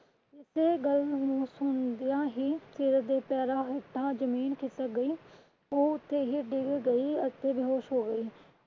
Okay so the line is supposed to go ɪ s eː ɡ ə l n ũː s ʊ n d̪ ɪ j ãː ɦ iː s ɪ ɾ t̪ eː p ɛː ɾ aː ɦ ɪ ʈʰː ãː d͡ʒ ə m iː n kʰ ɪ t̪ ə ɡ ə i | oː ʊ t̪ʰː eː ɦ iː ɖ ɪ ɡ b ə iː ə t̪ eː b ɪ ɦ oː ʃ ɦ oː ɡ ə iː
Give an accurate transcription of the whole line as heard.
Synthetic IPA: ɪ s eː ɡ ə l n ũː s ʊ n d̪ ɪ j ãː ɦ iː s ɪ ɾ d̪ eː p ɛː ɾ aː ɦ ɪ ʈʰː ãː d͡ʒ ə m iː n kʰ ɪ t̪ ə ɡ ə iː | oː ʊ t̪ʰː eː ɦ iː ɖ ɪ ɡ ɡ ə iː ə t̪ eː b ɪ ɦ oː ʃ ɦ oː ɡ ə iː